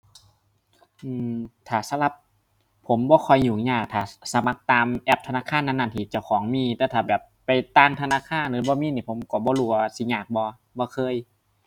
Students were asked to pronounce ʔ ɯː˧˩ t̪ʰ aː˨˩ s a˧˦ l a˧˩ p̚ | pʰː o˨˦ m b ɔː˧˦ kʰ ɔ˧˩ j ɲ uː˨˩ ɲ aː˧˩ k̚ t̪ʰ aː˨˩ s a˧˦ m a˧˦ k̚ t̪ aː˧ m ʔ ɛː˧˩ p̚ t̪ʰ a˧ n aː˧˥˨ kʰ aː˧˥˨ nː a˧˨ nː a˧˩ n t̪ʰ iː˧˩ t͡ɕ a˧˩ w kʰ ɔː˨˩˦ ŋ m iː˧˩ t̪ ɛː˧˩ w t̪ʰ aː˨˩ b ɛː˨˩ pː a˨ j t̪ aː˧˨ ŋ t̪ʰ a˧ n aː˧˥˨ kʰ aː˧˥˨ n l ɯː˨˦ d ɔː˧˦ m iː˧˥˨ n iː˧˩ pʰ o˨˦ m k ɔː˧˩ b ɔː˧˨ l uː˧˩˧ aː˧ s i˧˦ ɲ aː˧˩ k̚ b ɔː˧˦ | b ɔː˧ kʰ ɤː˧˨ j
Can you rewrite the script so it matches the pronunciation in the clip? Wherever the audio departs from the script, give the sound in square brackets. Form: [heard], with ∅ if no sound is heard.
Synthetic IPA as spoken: ʔ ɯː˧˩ t̪ʰ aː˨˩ s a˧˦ l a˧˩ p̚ | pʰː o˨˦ m b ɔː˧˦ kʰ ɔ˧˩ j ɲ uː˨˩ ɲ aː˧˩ k̚ t̪ʰ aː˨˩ s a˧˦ m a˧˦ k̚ t̪ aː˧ m ʔ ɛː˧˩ p̚ t̪ʰ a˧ n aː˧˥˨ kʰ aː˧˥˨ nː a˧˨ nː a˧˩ n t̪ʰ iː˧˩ t͡ɕ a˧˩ w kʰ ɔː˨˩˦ ŋ m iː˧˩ t̪ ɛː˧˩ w t̪ʰ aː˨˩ b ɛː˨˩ pː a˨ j t̪ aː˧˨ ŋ t̪ʰ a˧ n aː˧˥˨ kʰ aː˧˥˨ n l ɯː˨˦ [b] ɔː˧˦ m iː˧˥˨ n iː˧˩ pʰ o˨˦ m k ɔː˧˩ b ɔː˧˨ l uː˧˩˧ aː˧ s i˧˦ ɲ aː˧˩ k̚ b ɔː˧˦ | b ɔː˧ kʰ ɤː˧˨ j